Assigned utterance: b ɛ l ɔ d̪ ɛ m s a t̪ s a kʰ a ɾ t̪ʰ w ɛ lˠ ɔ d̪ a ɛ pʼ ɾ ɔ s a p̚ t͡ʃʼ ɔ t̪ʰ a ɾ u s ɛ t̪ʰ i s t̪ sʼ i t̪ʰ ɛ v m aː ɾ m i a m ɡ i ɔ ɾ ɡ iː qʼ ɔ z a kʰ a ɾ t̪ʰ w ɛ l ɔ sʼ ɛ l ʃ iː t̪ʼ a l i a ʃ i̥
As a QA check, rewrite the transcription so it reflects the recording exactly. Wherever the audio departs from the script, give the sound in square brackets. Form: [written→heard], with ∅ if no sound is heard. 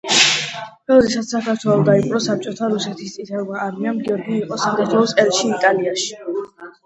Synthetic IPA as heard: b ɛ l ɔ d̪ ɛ [m→∅] s a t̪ s a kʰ a ɾ t̪ʰ w ɛ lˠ ɔ d̪ a [ɛ→i] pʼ ɾ ɔ s a p̚ t͡ʃʼ ɔ t̪ʰ a ɾ u s ɛ t̪ʰ i s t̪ sʼ i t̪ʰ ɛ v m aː ɾ m i a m ɡ i ɔ ɾ ɡ iː qʼ ɔ [z→s] a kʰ a ɾ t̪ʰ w ɛ l ɔ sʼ ɛ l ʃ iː t̪ʼ a l i a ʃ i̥